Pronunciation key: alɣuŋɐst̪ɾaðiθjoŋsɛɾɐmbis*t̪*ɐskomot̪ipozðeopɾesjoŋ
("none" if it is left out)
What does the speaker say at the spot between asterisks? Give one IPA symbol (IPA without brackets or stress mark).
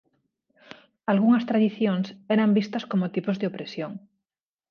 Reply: t̪